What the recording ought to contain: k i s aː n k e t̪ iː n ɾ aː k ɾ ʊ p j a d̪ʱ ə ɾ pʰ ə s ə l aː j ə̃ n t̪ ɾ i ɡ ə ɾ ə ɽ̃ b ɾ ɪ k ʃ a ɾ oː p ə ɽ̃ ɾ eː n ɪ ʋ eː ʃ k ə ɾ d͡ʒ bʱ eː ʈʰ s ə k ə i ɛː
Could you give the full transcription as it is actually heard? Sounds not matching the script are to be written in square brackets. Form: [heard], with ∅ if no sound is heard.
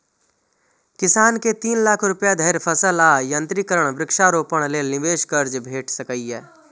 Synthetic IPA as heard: k [ɪ] s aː n k e t̪ iː n [l] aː [kʰ] ɾ ʊ p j a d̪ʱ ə ɾ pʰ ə s ə l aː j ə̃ n t̪ ɾ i [k] ə ɾ ə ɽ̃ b ɾ ɪ k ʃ a ɾ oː p ə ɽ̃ [l] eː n ɪ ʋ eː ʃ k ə ɾ d͡ʒ bʱ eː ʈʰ s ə k ə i ɛː